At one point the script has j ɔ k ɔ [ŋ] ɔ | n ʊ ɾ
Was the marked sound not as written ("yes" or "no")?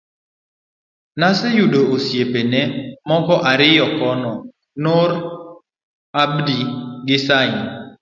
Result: yes